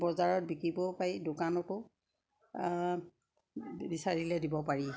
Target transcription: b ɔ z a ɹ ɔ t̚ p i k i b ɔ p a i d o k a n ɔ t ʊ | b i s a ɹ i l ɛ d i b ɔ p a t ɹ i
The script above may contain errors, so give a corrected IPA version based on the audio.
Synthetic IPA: b ɔ z a ɹ ɔ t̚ b i k i b ɔ p a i d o k a n ɔ t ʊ | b i s a ɹ i l ɛ d i b ɔ p a ɹ i